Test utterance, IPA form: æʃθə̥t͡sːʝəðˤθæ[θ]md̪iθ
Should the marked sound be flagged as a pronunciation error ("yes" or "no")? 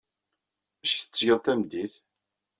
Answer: yes